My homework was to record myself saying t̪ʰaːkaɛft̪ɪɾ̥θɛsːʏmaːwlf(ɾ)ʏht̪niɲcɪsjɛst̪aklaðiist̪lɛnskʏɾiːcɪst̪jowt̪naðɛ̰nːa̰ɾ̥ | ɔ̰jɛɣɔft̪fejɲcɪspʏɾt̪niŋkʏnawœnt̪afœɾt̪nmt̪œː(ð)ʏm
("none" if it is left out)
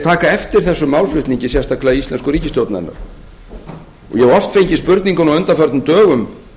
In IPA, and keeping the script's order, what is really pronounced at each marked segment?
l, ɣ

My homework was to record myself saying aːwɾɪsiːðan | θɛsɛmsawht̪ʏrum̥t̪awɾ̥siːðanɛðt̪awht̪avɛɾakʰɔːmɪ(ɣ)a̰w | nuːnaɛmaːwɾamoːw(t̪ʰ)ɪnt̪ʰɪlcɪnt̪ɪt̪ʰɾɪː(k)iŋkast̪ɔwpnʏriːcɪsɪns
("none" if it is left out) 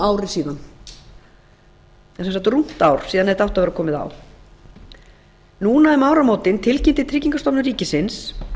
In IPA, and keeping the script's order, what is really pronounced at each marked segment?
ð, t̪, c

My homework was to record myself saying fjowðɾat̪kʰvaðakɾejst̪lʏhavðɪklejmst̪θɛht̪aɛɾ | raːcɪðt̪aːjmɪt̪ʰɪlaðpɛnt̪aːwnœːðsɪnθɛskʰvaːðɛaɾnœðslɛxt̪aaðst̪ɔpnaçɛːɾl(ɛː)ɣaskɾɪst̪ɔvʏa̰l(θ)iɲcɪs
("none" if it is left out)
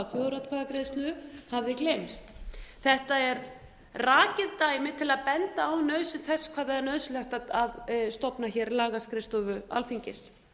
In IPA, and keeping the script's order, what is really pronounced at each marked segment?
aː, f

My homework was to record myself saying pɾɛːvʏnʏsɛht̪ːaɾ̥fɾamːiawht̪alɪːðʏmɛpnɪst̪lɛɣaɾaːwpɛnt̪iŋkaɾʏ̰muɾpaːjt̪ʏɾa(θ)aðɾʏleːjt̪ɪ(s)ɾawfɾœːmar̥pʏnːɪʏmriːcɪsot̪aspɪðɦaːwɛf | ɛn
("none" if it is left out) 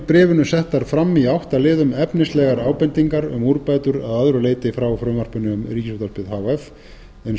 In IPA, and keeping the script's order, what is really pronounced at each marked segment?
ð, f

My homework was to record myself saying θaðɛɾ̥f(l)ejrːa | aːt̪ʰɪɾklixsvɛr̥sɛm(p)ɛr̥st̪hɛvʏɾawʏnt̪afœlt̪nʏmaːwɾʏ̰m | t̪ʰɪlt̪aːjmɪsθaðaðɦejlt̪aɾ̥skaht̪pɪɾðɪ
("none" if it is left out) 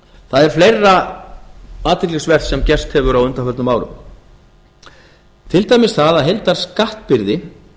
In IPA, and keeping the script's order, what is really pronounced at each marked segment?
l, c

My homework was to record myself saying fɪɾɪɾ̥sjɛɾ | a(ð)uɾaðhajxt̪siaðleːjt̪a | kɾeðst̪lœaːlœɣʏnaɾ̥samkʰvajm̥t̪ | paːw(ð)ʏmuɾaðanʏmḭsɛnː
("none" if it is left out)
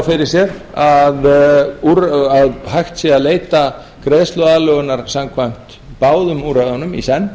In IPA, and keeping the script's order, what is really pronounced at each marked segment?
ð, ð

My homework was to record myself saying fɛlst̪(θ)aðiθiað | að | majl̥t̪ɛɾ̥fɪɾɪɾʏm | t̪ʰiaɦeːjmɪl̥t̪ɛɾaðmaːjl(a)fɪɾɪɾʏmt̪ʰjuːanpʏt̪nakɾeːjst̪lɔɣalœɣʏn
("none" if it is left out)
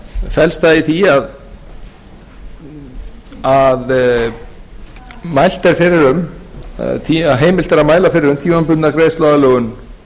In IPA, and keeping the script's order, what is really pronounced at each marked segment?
θ, a

